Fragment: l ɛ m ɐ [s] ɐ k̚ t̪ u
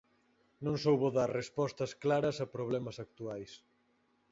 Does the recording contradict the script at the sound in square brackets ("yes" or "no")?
no